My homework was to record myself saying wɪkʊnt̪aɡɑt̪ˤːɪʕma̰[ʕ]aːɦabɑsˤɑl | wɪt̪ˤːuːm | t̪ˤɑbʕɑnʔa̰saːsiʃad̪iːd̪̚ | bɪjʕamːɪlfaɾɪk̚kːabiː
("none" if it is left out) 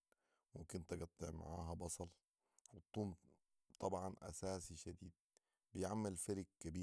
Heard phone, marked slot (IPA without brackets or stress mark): ʕ